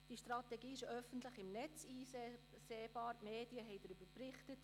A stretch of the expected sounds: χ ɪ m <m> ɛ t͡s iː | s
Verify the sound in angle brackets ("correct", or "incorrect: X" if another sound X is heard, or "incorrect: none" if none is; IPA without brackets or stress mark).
incorrect: n